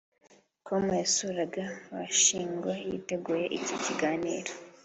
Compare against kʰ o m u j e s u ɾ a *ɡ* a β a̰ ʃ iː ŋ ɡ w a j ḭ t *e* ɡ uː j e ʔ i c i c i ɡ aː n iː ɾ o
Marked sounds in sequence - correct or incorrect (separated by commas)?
correct, correct